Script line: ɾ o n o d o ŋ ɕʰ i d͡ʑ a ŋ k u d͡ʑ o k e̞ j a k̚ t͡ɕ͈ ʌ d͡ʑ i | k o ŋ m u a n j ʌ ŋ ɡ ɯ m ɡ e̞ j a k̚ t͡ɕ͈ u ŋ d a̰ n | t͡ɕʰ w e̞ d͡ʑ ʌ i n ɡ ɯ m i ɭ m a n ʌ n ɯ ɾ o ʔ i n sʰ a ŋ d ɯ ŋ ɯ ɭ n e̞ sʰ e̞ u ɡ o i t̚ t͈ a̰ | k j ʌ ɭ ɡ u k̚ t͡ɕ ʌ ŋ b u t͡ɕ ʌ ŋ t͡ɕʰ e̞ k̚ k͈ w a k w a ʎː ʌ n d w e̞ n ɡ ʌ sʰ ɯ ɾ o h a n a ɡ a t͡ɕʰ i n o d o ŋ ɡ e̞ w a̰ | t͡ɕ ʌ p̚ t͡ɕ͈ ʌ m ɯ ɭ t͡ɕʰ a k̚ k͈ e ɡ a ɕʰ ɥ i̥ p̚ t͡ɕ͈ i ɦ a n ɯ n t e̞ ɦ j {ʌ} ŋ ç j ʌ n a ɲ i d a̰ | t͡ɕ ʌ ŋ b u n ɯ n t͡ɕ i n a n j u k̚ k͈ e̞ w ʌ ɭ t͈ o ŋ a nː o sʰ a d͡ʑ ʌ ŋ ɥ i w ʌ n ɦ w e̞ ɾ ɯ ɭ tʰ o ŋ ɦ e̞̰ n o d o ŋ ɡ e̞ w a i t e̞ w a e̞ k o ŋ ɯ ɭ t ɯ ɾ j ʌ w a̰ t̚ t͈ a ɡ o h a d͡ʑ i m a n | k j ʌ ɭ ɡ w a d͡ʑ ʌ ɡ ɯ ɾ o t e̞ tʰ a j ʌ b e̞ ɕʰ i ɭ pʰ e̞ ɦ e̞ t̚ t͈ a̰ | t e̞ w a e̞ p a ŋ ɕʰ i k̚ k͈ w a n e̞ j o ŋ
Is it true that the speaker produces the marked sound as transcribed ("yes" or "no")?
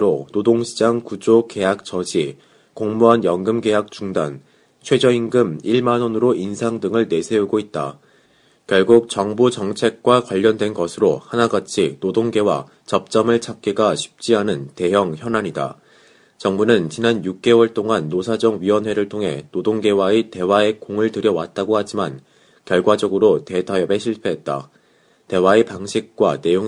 yes